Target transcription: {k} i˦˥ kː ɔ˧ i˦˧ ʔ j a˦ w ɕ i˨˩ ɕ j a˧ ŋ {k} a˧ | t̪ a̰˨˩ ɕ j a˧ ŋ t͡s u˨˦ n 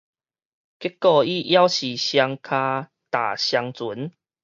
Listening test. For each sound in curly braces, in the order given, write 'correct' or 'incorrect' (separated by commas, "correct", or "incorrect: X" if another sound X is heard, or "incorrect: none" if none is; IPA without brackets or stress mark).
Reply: correct, incorrect: kʰ